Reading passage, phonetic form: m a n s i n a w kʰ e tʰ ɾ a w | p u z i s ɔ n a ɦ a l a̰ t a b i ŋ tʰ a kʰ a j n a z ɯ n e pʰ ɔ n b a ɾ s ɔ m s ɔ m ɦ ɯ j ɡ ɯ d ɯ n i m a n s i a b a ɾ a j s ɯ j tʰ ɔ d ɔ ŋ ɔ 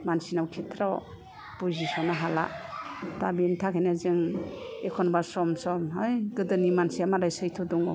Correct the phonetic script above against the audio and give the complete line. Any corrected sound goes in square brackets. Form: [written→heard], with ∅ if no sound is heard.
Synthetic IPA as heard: m a n s i n a w kʰ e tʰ ɾ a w | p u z i s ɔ n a ɦ a l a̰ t a b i [ŋ→n] tʰ a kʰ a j n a z ɯ [n→ŋ] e [pʰ→kʰ] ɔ n b a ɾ s ɔ m s ɔ m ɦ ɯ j ɡ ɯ d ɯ n i m a n s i a [b→m] a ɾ a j s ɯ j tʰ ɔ d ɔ ŋ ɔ